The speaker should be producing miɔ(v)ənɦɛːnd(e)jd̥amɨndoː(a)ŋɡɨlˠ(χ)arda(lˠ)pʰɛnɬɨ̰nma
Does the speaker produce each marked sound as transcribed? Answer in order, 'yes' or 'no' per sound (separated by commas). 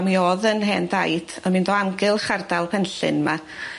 no, no, yes, yes, yes